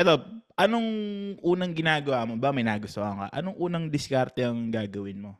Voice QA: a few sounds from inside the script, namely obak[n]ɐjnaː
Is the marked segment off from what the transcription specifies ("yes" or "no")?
yes